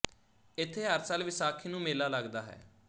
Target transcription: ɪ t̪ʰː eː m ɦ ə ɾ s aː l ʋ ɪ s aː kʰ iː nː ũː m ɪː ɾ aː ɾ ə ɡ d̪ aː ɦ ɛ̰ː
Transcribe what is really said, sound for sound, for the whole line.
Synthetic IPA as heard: ɪ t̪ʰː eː ɦ ə ɾ s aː l ʋ ɪ s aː kʰ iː n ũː m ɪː l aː l ə ɡ d̪ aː ɦ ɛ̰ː